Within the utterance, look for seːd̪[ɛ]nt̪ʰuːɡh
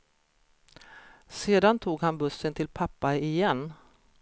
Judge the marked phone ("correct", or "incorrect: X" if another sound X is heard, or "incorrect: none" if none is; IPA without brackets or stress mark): incorrect: a